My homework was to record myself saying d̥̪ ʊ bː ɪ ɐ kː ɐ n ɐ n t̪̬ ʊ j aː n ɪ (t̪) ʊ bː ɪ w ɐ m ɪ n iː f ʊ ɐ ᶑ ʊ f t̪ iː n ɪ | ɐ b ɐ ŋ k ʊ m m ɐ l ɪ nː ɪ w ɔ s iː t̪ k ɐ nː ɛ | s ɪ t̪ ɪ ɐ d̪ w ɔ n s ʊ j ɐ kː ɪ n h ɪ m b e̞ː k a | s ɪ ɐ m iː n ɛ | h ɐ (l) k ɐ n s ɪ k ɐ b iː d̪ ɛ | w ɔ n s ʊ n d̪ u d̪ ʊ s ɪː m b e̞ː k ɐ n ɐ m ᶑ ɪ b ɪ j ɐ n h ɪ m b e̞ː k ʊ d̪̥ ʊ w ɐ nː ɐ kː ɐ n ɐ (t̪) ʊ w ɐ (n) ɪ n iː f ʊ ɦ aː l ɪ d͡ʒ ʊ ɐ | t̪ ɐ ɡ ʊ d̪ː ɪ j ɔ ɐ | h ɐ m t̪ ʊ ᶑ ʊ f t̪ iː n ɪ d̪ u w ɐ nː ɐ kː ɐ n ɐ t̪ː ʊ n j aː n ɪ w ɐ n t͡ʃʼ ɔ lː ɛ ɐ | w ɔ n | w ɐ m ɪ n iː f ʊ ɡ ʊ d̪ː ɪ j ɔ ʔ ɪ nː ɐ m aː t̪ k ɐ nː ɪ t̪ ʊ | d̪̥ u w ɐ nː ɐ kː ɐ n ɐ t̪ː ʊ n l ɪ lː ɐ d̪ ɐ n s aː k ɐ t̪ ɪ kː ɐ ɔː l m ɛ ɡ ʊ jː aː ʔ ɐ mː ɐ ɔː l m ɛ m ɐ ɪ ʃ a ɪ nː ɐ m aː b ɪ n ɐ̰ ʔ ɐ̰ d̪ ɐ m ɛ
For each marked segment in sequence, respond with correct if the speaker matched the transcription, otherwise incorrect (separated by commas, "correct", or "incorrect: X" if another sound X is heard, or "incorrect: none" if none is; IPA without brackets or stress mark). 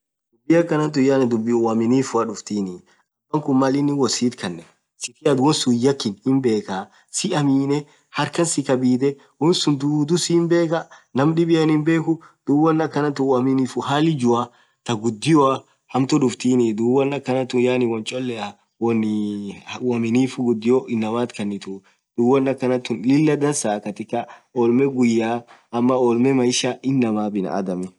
incorrect: d̪, incorrect: ɾ, correct, incorrect: m